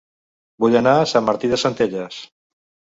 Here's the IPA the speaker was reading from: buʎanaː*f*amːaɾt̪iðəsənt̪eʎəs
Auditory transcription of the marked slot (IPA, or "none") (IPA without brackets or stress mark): s